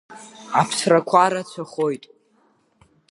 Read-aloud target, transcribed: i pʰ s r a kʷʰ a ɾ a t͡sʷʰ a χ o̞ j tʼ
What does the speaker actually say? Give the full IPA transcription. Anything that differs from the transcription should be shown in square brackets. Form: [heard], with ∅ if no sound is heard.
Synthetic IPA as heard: [a] pʰ s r a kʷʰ a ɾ a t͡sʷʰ a χ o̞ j tʼ